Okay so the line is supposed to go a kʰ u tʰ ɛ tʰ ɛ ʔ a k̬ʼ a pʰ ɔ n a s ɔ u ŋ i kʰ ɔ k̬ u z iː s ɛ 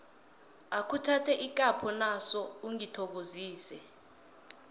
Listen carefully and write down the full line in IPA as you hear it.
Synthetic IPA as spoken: a kʰ u tʰ a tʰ ɛ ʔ i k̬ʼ a pʰ ɔ n a s ɔ u ŋ i tʰ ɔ k̬ o z iː s ɛ